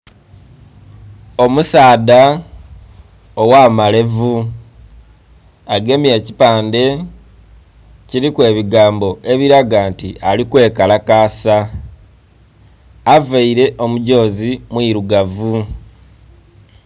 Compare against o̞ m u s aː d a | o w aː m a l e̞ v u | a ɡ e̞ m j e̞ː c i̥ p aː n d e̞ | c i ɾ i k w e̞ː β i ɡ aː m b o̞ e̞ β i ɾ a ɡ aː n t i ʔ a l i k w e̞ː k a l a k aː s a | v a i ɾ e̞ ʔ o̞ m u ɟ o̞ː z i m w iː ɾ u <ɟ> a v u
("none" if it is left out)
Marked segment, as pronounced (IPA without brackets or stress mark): ɡ